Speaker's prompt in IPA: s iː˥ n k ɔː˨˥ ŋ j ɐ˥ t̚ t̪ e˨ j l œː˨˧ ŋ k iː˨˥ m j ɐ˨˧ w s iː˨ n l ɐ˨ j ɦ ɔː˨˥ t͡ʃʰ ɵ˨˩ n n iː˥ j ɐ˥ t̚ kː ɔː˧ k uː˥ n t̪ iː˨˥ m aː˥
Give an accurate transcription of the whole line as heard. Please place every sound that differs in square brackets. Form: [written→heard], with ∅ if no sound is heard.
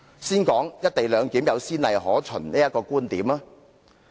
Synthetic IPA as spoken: s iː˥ n k ɔː˨˥ ŋ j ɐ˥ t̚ t̪ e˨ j l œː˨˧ ŋ k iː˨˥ m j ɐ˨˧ w s [iː˨→iː˥] n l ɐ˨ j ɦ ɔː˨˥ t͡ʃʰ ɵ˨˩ n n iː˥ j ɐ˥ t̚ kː ɔː˧ k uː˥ n t̪ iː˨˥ m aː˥

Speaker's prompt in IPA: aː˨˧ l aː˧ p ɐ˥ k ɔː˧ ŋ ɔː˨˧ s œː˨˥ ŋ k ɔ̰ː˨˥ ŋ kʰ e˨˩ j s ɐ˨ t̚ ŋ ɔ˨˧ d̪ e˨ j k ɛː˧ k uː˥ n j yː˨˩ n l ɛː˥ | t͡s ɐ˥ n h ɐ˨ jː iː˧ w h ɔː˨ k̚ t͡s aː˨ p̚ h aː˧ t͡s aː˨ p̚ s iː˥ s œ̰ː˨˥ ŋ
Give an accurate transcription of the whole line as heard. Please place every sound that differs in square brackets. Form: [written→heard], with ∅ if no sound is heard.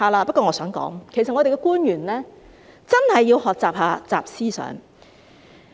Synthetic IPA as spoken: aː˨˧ l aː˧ p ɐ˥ k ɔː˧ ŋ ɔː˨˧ s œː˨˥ ŋ k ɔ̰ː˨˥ ŋ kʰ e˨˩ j s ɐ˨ t̚ ŋ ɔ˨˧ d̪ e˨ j k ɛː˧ k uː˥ n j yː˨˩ n l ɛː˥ | t͡s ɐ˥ n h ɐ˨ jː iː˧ w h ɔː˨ k̚ t͡s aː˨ p̚ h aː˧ t͡s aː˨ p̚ s iː˥ s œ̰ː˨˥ ŋ

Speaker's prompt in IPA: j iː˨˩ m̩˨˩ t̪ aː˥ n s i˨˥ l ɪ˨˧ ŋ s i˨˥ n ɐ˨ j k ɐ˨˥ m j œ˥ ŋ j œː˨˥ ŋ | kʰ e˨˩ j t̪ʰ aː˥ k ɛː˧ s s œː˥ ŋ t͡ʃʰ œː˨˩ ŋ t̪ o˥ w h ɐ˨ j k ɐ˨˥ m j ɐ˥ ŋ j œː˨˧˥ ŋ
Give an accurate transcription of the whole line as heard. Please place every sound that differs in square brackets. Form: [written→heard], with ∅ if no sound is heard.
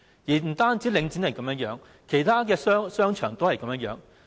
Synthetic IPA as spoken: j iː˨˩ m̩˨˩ t̪ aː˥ n [s→t͡s] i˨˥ l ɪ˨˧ ŋ [s→t͡s] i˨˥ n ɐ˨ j k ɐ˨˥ m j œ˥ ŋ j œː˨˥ ŋ | kʰ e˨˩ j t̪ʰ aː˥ k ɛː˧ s s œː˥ ŋ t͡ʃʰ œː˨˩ ŋ t̪ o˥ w h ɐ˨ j k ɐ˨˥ m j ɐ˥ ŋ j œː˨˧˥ ŋ

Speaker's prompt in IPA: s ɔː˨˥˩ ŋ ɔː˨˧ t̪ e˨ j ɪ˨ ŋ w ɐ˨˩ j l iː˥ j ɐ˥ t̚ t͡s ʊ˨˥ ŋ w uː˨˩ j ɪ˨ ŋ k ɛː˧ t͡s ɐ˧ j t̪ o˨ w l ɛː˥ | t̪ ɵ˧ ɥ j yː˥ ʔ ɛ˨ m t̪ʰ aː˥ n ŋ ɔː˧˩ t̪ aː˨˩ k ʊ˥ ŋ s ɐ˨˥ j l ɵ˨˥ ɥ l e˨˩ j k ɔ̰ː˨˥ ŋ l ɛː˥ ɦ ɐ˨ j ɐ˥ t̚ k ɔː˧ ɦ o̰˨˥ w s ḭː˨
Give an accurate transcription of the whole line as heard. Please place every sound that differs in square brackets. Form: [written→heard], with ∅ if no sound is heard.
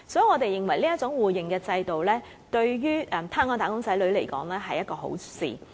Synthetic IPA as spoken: s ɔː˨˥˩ ŋ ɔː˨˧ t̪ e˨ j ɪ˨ ŋ w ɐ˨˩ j l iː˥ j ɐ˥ t̚ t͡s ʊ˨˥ ŋ w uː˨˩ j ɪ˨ ŋ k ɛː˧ t͡s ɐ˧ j t̪ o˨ w l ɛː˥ | t̪ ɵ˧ ɥ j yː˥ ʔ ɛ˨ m t̪ʰ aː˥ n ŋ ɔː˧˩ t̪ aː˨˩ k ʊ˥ ŋ s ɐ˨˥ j l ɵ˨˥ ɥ l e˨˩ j k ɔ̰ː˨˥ ŋ l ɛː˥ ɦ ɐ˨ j ɐ˥ t̚ k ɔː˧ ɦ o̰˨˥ w s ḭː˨

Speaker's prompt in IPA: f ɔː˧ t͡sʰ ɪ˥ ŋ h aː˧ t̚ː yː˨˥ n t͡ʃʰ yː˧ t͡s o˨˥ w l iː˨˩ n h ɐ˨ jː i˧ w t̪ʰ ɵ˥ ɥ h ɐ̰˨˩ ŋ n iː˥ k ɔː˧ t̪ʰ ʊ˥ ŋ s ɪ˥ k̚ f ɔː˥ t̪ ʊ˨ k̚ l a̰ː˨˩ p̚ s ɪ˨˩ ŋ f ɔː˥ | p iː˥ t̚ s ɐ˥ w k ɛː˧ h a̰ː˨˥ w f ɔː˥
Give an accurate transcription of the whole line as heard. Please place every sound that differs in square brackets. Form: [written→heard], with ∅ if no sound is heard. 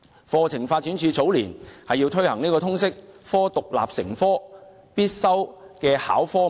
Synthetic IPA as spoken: f ɔː˧ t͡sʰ [ɪ˥→ɪ˨˩] ŋ [h→f] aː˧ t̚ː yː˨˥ n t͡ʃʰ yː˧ t͡s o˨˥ w l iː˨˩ n h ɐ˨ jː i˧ w t̪ʰ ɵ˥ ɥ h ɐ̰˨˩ ŋ n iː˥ k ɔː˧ t̪ʰ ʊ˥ ŋ s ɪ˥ k̚ f ɔː˥ t̪ ʊ˨ k̚ l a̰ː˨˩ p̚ s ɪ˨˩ ŋ f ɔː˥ | p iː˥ t̚ s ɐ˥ w k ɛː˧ h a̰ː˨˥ w f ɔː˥

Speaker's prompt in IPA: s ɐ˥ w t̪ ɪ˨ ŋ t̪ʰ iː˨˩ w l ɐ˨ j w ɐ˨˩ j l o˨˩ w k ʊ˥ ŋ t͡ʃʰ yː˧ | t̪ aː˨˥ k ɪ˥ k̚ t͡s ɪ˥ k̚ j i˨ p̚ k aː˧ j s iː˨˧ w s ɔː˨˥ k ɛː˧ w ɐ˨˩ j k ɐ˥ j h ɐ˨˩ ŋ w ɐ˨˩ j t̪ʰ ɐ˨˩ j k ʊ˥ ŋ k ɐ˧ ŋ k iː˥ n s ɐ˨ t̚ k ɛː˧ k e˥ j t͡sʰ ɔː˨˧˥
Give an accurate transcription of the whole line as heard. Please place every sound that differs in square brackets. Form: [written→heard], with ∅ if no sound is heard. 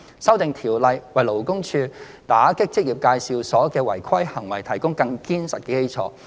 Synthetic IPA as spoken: s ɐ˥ w t̪ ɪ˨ ŋ t̪ʰ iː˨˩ w l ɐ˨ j w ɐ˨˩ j l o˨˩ w k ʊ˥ ŋ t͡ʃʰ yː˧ | t̪ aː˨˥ k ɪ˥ k̚ t͡s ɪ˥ k̚ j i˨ p̚ k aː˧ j s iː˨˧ w s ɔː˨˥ k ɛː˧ w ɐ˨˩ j [k→kʰ] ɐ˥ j h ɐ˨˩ ŋ w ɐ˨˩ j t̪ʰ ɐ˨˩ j k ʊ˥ ŋ k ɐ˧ ŋ k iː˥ n s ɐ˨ t̚ k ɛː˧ k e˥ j t͡sʰ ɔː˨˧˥

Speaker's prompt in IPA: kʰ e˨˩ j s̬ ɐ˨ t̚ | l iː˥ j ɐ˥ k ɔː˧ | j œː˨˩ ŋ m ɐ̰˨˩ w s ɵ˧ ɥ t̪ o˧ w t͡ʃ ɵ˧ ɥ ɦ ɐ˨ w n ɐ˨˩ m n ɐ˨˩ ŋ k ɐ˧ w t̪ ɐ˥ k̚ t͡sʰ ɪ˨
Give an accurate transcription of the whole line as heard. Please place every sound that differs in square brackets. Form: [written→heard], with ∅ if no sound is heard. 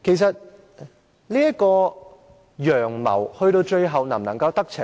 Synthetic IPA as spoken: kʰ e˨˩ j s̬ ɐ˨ t̚ | l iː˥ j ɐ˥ k ɔː˧ | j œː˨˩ ŋ m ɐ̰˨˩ w [s→h] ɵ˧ ɥ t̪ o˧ w t͡ʃ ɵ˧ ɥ ɦ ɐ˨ w n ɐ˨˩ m n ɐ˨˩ ŋ k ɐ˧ w t̪ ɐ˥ k̚ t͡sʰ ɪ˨

